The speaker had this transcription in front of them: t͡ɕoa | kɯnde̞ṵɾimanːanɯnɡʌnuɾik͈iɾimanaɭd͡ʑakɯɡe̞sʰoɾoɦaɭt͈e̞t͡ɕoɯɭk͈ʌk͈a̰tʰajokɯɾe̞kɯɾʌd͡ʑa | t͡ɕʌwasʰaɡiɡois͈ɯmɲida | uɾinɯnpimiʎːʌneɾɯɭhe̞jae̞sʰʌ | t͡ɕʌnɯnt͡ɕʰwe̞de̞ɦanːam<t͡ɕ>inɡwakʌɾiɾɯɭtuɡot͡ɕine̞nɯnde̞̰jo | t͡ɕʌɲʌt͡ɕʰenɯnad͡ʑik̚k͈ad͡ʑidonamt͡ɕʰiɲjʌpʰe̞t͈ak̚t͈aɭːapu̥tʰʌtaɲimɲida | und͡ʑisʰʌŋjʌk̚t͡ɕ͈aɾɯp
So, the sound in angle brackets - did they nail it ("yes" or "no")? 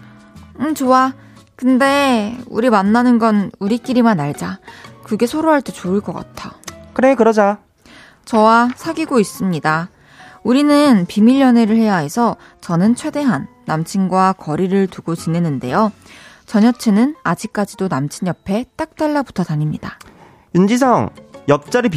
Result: no